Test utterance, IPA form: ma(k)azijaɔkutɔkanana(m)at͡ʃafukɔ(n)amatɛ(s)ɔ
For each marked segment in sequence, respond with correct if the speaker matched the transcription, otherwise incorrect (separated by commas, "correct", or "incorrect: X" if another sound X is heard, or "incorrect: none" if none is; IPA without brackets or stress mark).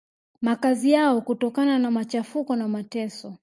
correct, correct, correct, correct